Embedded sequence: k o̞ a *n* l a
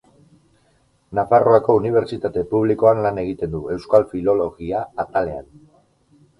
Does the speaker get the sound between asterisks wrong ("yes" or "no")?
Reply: no